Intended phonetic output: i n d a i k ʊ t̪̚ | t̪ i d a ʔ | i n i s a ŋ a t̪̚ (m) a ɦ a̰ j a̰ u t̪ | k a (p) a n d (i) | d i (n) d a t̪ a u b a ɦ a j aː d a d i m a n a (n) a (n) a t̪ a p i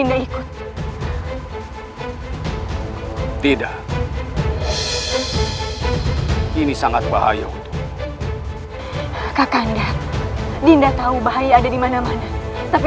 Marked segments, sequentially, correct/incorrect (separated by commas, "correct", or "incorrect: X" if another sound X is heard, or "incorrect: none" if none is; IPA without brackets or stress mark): incorrect: b, incorrect: k, incorrect: a, correct, incorrect: m, correct